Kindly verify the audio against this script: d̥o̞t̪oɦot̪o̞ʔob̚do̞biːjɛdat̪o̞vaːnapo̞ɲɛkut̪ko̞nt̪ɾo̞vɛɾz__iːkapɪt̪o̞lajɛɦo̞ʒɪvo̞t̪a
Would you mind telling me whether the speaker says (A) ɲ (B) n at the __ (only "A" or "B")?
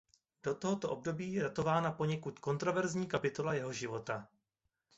A